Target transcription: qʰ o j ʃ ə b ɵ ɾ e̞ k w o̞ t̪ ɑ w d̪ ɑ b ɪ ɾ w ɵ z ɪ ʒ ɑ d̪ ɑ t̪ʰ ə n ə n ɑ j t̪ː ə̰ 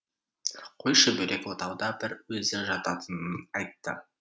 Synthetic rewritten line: qʰ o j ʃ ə b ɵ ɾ e̞ k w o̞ t̪ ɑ w d̪ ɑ b ɪ ɾ w ɵ z ɪ ʒ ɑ t̪ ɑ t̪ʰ ə n ə n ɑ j t̪ː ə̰